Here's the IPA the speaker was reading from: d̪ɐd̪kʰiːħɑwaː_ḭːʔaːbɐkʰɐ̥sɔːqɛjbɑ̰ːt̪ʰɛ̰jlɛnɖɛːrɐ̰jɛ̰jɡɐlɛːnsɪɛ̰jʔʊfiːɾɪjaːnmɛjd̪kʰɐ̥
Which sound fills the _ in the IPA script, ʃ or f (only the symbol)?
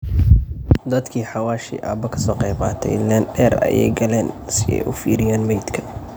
ʃ